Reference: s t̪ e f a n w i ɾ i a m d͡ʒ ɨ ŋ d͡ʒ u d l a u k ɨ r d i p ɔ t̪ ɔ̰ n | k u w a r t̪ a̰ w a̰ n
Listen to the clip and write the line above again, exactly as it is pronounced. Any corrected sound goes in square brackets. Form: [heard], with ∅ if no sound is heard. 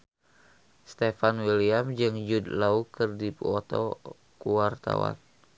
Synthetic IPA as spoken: s t̪ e f a n w i [l] i a m d͡ʒ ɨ ŋ d͡ʒ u d l a u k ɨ r d i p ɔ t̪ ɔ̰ [∅] | k u w a r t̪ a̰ w a̰ n